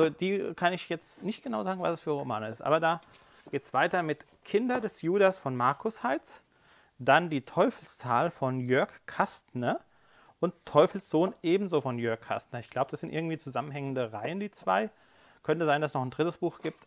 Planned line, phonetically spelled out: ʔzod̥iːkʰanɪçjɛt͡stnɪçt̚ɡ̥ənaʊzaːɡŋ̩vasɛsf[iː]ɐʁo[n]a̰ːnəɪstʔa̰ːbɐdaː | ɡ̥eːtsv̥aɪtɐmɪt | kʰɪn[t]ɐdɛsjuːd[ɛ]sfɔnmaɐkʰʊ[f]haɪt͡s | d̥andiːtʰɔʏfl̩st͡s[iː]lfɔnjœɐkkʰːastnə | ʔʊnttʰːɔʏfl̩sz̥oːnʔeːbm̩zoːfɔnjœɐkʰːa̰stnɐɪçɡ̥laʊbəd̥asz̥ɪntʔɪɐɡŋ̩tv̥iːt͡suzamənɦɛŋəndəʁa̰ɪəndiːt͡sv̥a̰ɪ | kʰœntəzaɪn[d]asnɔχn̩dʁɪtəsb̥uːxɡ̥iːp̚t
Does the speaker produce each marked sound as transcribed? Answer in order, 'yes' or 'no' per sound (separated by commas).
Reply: no, no, no, no, no, no, yes